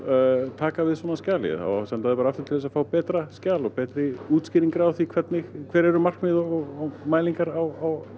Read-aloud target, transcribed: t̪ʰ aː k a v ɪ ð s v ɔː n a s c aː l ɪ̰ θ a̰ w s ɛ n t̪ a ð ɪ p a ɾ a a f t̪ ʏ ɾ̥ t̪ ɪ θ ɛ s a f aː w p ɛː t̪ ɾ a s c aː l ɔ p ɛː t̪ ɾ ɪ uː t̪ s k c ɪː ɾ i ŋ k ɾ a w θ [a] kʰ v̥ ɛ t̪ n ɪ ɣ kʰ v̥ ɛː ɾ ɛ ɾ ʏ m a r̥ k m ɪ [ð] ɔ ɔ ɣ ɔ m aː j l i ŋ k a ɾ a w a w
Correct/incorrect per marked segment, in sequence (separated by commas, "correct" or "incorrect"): incorrect, correct